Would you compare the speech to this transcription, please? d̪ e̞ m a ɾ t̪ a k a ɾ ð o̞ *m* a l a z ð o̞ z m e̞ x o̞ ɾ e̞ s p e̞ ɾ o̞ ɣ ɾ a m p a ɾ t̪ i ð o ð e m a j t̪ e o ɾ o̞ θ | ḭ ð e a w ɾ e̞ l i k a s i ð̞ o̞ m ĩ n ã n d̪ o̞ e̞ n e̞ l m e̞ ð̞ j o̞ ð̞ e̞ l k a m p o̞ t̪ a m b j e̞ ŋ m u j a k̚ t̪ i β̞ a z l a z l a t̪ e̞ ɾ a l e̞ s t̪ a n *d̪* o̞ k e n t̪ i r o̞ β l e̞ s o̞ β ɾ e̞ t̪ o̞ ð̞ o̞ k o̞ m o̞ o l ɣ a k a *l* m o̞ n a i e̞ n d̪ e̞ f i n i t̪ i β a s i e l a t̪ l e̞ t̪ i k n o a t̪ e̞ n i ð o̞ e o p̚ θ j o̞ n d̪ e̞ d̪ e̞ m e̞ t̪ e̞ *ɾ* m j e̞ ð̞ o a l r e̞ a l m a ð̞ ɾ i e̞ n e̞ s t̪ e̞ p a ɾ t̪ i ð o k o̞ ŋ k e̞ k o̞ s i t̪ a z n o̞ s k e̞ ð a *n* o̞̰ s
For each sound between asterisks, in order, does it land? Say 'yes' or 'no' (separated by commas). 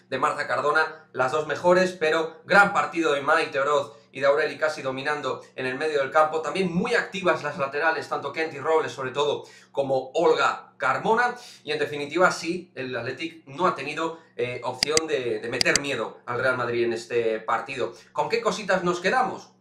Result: no, no, no, yes, no